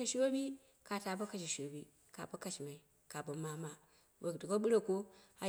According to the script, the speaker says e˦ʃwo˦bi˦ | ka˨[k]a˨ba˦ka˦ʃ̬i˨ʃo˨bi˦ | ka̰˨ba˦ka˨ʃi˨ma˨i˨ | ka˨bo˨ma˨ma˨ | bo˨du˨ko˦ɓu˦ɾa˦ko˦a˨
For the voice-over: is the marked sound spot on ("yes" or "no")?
no